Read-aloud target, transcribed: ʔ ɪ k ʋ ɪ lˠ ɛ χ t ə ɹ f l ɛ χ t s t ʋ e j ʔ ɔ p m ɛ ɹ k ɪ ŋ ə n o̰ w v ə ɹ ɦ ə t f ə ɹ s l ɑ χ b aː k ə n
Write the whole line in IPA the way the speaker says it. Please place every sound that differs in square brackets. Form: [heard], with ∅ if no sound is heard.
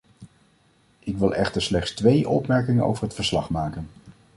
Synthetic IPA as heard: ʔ ɪ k ʋ ɪ lˠ ɛ χ t ə ɹ [s] l ɛ χ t s t ʋ e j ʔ ɔ p m ɛ ɹ k ɪ ŋ ə n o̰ w v ə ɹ ɦ ə t f ə ɹ s l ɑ χ [m] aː k ə n